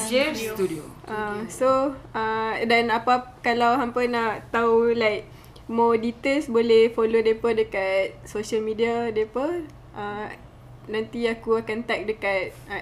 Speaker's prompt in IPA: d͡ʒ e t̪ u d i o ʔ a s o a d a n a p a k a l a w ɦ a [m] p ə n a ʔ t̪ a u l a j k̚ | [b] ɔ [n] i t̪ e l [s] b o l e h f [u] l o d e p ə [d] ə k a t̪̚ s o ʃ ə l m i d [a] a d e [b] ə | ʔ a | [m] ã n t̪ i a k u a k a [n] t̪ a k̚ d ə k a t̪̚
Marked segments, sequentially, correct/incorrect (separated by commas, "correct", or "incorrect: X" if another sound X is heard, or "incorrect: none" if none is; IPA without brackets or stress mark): correct, incorrect: m, incorrect: d, correct, incorrect: o, correct, incorrect: i, incorrect: p, incorrect: n, correct